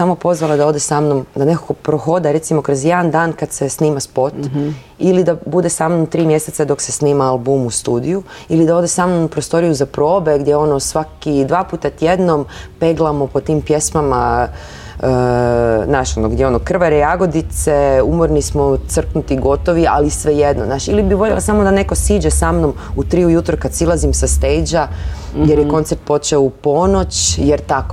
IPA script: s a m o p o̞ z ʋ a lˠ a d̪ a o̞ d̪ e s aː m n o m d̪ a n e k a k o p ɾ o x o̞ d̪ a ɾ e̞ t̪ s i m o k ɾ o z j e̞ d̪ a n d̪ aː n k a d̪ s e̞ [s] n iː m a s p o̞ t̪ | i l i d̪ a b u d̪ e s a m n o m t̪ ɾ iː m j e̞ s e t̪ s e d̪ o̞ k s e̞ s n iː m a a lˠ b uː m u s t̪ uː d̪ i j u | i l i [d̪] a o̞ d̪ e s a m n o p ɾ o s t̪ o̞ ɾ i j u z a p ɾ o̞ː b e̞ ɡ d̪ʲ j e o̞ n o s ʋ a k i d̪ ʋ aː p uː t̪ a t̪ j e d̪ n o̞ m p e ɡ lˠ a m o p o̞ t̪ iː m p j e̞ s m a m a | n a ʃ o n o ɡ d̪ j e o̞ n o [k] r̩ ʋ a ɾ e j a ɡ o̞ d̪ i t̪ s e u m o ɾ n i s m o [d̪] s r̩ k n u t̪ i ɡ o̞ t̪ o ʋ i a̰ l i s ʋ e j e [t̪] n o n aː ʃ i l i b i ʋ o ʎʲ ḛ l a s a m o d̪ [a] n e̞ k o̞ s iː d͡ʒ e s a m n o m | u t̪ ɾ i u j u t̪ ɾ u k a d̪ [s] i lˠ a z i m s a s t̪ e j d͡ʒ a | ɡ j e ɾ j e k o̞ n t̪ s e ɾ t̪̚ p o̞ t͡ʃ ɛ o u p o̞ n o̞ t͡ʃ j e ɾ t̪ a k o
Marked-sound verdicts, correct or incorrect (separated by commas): correct, correct, correct, incorrect, incorrect, correct, correct